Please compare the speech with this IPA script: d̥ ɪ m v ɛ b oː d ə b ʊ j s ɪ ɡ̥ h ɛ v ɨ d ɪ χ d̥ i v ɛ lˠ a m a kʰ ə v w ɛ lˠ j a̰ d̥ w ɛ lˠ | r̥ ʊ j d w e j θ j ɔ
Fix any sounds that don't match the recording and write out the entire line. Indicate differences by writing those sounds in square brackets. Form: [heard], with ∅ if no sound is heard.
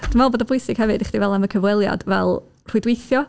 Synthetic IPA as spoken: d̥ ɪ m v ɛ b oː d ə b ʊ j s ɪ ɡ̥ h ɛ v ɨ d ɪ χ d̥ i v ɛ lˠ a m [ə] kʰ ə v w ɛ lˠ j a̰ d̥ [v] ɛ lˠ | r̥ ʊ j d w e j θ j ɔ

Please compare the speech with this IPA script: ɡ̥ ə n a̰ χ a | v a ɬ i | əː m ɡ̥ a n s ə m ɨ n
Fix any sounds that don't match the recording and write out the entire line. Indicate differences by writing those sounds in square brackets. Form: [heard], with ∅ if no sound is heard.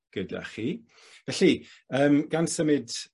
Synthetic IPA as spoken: ɡ̥ ə [d] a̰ χ [i] | v [ɛ] ɬ i | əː m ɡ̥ a n s ə m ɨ [d]

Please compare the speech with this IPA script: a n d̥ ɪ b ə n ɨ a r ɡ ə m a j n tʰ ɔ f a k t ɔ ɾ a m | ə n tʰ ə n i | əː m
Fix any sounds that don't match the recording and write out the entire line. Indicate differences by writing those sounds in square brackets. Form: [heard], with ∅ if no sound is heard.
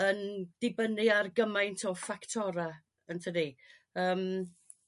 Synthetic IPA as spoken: [ə] n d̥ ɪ b ə n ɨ a r ɡ ə m a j n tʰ ɔ f a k [tʰ] ɔ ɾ a [∅] | ə n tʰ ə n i | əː m

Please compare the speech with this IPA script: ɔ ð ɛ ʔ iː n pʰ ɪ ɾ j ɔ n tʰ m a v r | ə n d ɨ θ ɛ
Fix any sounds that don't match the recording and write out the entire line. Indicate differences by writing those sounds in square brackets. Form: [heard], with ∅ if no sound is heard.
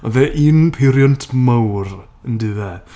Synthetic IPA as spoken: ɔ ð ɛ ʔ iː n pʰ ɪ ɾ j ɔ n tʰ m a [w] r | ə n d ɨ [ð] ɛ

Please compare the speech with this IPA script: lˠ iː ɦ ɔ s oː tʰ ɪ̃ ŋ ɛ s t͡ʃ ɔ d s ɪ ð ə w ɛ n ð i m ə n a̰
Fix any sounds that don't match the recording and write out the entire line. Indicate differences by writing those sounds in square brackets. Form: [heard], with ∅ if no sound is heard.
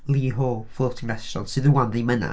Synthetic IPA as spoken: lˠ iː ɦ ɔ [f] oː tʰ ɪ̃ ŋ ɛ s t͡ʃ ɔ [n] s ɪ ð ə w [a] n ð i m ə n a̰

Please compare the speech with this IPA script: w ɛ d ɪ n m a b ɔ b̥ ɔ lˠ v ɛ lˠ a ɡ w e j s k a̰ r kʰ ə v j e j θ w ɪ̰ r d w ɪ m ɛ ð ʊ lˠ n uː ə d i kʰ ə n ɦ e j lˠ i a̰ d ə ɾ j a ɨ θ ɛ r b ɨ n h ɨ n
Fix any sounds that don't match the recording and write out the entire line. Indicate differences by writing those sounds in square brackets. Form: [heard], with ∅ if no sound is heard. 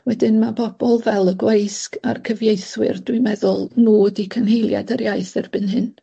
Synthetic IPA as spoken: w ɛ d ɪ n m a b ɔ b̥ ɔ lˠ v ɛ lˠ [ə] ɡ w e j s k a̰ r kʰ ə v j e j θ w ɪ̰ r d w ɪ m ɛ ð ʊ lˠ n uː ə d i kʰ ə n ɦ e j lˠ [j] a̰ d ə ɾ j a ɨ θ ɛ r b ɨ n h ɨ n

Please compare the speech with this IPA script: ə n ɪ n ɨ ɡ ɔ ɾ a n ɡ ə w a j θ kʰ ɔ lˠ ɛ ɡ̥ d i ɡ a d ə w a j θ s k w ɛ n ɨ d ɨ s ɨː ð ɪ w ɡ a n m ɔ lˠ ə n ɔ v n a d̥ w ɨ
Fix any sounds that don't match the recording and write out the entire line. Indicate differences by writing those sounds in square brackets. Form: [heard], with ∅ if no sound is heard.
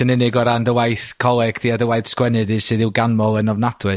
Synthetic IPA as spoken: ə n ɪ n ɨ ɡ ɔ ɾ a n [d] ə w a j θ kʰ ɔ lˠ ɛ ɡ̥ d i [∅] a d ə w a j θ s k w ɛ n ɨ d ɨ s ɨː ð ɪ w ɡ a n m ɔ lˠ ə n ɔ v n a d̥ w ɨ

